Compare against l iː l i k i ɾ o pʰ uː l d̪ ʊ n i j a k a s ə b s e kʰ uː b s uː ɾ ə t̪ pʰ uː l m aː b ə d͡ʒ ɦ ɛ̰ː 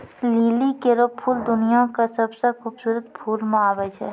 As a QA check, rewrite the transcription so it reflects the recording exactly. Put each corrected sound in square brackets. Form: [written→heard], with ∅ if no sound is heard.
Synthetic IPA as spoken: l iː l i k [i→e] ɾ o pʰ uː l d̪ ʊ n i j a k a s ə b s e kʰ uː b s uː ɾ ə t̪ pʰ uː l m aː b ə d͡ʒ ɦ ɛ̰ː